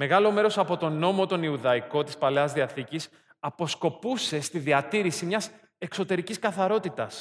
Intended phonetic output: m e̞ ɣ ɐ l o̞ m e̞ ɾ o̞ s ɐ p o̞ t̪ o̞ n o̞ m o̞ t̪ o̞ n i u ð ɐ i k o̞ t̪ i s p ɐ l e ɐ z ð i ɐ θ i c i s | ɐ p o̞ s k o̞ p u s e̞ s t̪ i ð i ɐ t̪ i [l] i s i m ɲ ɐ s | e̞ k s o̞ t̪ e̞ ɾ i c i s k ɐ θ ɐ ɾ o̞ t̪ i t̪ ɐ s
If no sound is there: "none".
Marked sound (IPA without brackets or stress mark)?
ɾ